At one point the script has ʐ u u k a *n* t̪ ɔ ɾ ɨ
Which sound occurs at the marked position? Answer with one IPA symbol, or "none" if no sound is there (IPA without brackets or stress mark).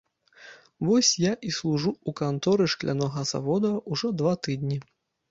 n